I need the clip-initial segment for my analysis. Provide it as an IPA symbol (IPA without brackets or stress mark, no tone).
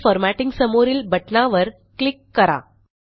f